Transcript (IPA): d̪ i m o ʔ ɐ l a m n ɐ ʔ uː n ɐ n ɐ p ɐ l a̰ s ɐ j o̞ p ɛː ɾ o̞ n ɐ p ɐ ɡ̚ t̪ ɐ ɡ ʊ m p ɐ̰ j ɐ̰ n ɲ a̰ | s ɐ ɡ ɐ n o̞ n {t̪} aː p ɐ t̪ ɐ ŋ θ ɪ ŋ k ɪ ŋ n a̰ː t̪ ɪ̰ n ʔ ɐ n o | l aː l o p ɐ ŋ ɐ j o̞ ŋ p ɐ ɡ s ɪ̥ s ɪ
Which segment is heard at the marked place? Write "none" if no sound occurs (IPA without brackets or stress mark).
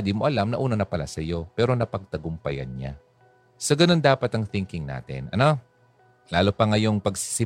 d̪